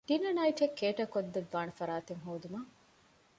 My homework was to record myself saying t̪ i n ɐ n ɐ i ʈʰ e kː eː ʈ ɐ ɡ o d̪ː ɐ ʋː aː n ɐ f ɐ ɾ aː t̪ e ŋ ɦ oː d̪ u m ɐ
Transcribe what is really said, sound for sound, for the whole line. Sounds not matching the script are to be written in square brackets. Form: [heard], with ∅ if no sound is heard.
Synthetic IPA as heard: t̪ i n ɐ n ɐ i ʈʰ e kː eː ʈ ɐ [k] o d̪ː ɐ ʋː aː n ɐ f ɐ ɾ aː t̪ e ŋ ɦ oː d̪ u m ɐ